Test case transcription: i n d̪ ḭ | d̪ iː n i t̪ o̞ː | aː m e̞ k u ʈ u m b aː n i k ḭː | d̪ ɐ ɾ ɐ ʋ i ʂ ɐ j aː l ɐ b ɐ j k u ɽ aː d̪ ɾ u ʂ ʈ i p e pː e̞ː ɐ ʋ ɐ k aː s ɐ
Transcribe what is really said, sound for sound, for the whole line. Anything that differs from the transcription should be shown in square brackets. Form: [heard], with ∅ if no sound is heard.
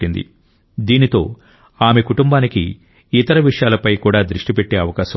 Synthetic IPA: i n d̪ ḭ | d̪ iː n i t̪ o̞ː | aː m e̞ k u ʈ u m b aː n i k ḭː | [t̪] ɐ ɾ ɐ ʋ i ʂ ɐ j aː l ɐ [p] ɐ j k [uː] ɽ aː d̪ ɾ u ʂ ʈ i p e [ʈː] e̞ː ɐ ʋ ɐ k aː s ɐ

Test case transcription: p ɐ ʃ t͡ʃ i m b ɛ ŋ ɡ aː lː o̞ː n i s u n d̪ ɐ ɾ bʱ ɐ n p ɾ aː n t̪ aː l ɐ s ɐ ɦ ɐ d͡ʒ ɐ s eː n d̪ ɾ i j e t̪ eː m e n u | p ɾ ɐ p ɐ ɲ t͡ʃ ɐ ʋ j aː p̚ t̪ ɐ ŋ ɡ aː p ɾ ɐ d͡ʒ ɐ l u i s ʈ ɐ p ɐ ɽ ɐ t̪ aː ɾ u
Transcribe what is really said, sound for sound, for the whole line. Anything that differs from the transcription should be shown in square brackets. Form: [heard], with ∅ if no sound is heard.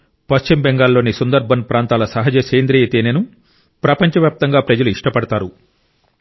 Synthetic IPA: p ɐ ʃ t͡ʃ i m b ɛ ŋ ɡ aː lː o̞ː n i s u n d̪ ɐ ɾ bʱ ɐ n p ɾ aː n t̪ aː l ɐ s ɐ ɦ ɐ d͡ʒ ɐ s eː n d̪ ɾ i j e t̪ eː [n] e n u | p ɾ ɐ p ɐ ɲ t͡ʃ ɐ ʋ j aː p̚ t̪ ɐ ŋ ɡ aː p ɾ ɐ d͡ʒ ɐ l u i [ʂ] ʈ ɐ p ɐ ɽ ɐ t̪ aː ɾ u

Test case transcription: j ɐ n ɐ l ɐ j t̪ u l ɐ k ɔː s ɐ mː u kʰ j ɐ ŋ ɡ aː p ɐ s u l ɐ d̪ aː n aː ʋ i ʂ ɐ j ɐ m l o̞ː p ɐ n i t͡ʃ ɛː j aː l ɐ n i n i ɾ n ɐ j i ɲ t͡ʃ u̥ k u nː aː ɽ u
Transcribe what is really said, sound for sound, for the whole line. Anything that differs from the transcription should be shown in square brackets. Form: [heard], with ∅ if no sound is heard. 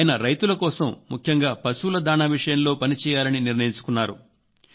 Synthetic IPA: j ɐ n ɐ [ɾ] ɐ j t̪ u l ɐ k ɔː s ɐ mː u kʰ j ɐ ŋ ɡ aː p ɐ s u l ɐ d̪ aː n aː ʋ i ʂ ɐ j ɐ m l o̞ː p ɐ n i t͡ʃ ɛː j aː l ɐ n i n i ɾ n ɐ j i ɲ t͡ʃ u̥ k u nː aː [ɾ] u

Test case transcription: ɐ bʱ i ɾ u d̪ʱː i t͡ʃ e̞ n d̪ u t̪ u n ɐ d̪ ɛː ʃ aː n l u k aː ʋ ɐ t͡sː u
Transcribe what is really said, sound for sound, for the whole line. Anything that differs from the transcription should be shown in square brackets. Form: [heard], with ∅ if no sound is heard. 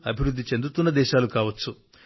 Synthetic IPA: ɐ bʱ i ɾ u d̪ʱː i t͡ʃ e̞ n d̪ u t̪ u [nː] ɐ d̪ ɛː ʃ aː [∅] l u k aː ʋ ɐ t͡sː u

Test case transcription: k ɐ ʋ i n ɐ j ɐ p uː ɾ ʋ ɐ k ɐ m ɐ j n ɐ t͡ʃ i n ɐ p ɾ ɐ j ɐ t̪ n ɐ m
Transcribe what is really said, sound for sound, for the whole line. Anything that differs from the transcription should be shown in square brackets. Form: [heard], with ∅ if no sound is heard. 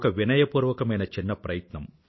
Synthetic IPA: k ɐ ʋ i n ɐ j ɐ p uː ɾ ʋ ɐ k ɐ m ɐ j n ɐ t͡ʃ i [nː] ɐ p ɾ ɐ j ɐ t̪ n ɐ m

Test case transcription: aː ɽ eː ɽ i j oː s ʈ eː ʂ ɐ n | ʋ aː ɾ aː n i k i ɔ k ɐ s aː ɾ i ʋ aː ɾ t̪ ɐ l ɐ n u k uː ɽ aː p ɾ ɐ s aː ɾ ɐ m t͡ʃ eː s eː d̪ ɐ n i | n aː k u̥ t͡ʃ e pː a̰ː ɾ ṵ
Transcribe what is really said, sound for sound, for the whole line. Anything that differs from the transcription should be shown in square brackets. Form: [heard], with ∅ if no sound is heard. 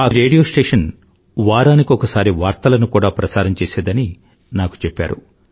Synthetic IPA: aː [ɾ] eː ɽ i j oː s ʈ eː ʂ ɐ n | ʋ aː ɾ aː n i k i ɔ k ɐ s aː ɾ i ʋ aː ɾ t̪ ɐ l ɐ n u k uː ɽ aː p ɾ ɐ s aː ɾ ɐ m t͡ʃ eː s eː d̪ ɐ n i | n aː k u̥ t͡ʃ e pː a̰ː ɾ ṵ

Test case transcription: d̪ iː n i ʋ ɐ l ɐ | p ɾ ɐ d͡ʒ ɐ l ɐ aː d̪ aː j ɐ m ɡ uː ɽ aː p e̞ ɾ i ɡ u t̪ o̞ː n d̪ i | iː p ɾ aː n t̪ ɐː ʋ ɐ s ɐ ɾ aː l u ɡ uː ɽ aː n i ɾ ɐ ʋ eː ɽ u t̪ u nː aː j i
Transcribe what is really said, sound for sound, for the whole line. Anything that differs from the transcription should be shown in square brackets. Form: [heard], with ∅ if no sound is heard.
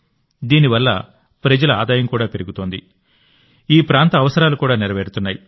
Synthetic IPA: d̪ iː n i ʋ ɐ [lː] ɐ | p ɾ ɐ d͡ʒ ɐ l ɐ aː d̪ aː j ɐ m [k] uː ɽ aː p e̞ ɾ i ɡ u t̪ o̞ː n d̪ i | iː p ɾ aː n t̪ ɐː ʋ ɐ s ɐ ɾ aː l u [k] uː ɽ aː n i ɾ ɐ ʋ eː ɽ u t̪ u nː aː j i

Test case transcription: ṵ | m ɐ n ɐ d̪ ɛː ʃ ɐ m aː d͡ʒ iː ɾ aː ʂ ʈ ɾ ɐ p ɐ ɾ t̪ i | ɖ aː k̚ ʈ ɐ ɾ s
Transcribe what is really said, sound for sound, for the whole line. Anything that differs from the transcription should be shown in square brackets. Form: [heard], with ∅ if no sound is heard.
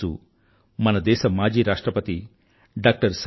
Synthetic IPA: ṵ | m ɐ n ɐ d̪ ɛː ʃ ɐ m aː d͡ʒ iː ɾ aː ʂ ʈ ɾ ɐ p ɐ [∅] t̪ i | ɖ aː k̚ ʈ ɐ ɾ s

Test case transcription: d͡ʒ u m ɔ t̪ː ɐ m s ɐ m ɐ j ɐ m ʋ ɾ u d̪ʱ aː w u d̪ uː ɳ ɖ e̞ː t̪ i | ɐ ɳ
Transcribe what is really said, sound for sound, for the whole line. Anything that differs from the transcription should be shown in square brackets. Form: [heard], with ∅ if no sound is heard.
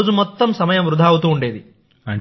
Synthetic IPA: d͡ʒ u m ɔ t̪ː ɐ m s ɐ m ɐ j ɐ m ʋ ɾ u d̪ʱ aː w u [t̪] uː ɳ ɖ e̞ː [d̪] i | ɐ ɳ

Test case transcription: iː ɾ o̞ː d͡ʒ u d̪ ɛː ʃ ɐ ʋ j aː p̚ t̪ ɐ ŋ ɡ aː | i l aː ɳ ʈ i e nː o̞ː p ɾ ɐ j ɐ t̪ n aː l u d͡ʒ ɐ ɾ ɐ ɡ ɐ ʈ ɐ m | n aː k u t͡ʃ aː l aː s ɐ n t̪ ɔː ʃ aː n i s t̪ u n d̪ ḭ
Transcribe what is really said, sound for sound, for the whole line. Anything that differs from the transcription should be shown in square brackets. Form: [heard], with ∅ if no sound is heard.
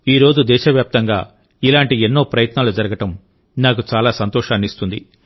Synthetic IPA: iː ɾ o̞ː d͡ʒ u d̪ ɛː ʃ ɐ ʋ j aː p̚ t̪ ɐ ŋ ɡ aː | i l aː ɳ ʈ i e nː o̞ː p ɾ ɐ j ɐ t̪ n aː l u d͡ʒ ɐ ɾ ɐ ɡ ɐ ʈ ɐ m | n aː k u t͡ʃ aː l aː s ɐ n t̪ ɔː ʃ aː n i s t̪ u n d̪ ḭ

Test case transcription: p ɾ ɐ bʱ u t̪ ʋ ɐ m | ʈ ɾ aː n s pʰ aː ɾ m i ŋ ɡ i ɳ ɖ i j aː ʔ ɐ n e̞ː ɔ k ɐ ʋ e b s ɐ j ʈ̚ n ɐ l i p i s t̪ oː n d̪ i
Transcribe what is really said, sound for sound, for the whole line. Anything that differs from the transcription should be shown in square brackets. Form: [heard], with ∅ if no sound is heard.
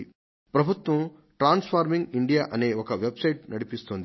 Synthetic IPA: p ɾ ɐ bʱ u t̪ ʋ ɐ m | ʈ ɾ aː n s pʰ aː ɾ m i ŋ ɡ i ɳ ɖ i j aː ʔ ɐ n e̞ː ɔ k ɐ ʋ e b s ɐ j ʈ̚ n ɐ [ɽ] i p i s t̪ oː n d̪ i

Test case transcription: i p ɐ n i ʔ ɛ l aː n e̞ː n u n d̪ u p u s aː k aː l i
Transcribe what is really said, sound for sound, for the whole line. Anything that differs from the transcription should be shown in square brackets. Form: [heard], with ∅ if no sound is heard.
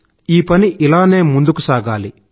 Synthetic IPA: [iː] p ɐ n i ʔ [i] l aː n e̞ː [m] u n d̪ u [k] u s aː [ɡ] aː l i

